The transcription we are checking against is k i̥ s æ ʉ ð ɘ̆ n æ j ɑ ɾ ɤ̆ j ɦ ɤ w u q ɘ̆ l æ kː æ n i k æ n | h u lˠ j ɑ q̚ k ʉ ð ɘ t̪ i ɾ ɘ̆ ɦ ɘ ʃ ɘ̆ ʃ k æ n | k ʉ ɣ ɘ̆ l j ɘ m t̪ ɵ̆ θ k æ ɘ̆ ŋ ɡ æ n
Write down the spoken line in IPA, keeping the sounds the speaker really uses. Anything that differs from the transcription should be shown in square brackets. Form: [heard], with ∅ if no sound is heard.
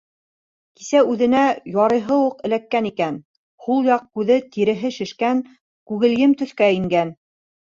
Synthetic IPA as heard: k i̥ s æ ʉ ð ɘ̆ n æ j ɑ ɾ ɤ̆ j ɦ ɤ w u q ɘ̆ l æ kː æ n i k æ n | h u lˠ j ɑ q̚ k ʉ ð ɘ t̪ i ɾ ɘ̆ ɦ ɘ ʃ ɘ̆ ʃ k æ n | k ʉ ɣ ɘ̆ l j ɘ m t̪ ɵ̆ θ k æ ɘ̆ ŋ ɡ æ n